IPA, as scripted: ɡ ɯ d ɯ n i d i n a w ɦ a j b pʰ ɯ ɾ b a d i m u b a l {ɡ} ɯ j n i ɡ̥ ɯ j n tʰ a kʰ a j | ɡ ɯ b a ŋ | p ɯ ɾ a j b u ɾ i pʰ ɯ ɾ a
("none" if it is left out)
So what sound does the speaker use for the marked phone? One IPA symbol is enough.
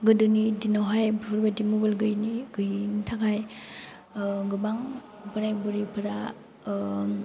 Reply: ɡ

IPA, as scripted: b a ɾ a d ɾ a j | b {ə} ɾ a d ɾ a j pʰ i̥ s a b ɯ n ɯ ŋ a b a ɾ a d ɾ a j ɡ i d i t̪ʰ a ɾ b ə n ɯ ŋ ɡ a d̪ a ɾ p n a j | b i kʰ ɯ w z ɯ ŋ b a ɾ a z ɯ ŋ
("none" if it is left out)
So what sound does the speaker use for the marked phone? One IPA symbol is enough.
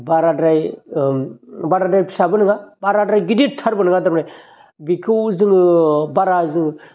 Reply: a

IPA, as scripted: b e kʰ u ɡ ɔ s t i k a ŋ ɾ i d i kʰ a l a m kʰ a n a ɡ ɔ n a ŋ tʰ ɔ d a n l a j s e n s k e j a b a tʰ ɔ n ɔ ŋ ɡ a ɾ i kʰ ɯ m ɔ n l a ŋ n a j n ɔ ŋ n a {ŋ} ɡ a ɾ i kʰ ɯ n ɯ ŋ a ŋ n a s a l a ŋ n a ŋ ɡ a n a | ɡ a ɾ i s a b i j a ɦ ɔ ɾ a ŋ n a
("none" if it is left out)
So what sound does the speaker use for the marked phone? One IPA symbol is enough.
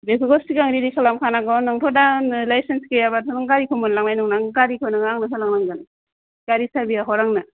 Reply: ŋ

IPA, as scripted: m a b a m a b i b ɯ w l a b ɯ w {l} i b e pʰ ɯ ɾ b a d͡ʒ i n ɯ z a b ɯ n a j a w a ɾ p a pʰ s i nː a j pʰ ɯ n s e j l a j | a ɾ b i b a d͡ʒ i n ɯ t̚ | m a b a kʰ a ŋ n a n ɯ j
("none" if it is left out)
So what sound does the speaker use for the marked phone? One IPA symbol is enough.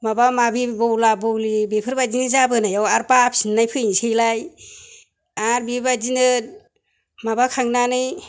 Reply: l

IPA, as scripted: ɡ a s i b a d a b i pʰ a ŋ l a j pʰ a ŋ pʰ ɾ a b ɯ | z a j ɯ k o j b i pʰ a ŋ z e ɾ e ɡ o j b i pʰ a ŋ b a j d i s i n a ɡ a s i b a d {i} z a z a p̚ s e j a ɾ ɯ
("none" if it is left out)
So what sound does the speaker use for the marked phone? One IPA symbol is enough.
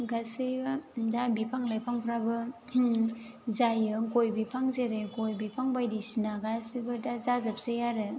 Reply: a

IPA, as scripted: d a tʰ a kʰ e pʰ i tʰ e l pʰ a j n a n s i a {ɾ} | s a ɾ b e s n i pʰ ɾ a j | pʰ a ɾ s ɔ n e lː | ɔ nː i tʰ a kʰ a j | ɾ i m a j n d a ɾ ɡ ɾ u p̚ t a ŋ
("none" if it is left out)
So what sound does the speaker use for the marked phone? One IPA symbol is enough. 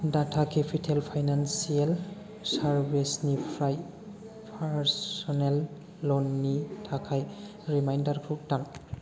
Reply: l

